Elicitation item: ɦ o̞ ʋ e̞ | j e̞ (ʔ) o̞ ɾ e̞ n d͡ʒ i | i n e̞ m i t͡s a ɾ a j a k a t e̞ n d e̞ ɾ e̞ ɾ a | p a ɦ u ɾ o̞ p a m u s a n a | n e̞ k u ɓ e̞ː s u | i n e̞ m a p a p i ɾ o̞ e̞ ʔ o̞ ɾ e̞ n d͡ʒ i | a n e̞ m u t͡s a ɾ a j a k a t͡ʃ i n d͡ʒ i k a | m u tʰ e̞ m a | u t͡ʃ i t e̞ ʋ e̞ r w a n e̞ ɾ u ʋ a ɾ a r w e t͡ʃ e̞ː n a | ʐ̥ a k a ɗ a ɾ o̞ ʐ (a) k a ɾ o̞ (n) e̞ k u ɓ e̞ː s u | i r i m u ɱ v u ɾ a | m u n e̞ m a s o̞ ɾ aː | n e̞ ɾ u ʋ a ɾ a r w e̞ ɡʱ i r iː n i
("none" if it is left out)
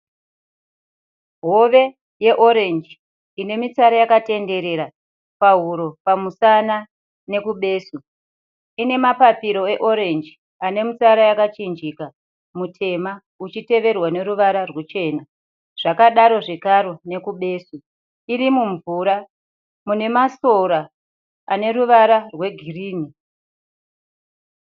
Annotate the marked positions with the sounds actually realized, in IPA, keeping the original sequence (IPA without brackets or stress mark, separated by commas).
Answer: ʔ, e, n